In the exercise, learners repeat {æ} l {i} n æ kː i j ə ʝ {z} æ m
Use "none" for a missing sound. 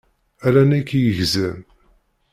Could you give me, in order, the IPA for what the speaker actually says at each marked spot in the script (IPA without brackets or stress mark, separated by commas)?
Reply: æ, æ, z